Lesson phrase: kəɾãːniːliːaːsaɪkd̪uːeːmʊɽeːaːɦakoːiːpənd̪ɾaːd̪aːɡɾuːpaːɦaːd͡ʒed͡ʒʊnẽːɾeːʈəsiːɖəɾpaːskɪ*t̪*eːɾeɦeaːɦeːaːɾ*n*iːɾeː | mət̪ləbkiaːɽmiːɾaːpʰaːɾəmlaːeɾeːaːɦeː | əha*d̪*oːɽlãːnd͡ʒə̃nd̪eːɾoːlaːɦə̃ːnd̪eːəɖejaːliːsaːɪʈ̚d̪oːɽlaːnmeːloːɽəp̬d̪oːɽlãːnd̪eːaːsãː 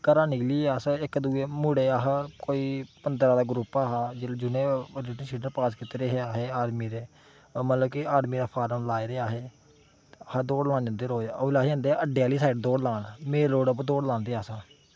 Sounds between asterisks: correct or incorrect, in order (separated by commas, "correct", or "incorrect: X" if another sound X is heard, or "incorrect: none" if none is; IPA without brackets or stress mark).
correct, incorrect: m, correct